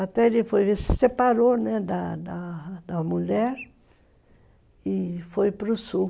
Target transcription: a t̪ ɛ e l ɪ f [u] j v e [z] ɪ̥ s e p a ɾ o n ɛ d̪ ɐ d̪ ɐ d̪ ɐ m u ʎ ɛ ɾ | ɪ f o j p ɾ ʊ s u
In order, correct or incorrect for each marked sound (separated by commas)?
incorrect, incorrect